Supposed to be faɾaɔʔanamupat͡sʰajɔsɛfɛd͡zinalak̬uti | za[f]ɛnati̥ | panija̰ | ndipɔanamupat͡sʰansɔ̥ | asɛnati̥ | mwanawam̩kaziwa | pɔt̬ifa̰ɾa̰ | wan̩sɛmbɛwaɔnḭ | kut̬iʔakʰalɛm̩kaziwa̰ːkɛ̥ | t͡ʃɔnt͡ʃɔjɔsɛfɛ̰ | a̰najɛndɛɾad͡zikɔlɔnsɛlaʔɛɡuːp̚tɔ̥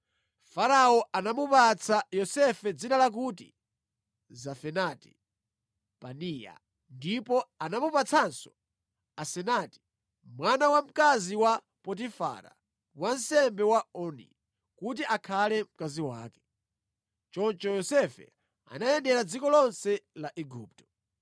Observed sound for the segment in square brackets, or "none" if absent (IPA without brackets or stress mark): f